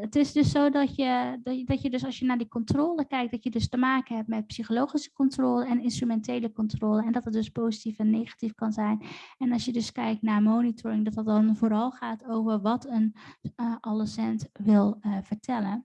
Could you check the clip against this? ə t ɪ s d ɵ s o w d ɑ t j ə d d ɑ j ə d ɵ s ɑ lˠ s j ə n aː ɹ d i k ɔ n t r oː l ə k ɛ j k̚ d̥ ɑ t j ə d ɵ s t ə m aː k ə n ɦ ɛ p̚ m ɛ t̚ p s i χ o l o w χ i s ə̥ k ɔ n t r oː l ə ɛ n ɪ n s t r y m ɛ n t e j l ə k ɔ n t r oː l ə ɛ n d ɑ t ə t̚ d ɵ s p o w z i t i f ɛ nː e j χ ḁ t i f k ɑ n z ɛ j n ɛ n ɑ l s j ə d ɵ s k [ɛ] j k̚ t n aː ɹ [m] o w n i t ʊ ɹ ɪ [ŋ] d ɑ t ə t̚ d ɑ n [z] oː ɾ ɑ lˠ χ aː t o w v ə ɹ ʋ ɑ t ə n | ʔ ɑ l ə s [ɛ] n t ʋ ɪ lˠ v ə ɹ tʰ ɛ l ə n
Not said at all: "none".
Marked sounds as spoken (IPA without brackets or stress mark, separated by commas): ɛ, m, ŋ, v, ɛ